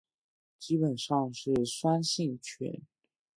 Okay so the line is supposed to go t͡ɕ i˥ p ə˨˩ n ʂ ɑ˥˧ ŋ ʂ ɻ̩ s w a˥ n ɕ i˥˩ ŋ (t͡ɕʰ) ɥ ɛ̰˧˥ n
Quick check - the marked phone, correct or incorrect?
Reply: correct